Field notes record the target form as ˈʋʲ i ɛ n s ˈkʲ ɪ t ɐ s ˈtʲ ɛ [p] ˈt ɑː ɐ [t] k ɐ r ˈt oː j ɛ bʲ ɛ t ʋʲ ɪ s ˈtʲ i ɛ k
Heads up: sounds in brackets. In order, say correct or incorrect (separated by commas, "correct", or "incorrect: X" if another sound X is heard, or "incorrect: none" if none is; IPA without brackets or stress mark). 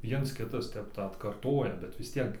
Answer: correct, correct